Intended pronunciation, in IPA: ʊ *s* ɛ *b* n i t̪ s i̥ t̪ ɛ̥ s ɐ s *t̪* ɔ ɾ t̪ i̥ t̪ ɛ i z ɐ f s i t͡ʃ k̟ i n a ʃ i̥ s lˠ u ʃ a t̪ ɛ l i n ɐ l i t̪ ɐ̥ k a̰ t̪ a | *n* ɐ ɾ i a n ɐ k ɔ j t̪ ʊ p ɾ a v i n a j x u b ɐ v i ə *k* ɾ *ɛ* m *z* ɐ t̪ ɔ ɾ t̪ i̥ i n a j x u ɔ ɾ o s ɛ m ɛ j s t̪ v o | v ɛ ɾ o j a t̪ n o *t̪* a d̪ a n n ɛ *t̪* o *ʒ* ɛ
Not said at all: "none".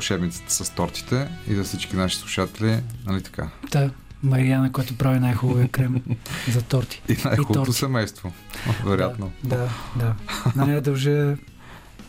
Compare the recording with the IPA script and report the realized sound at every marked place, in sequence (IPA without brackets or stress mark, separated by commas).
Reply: ʃ, b, t̪, m, k, ɛ, z, d̪, d̪, ʒ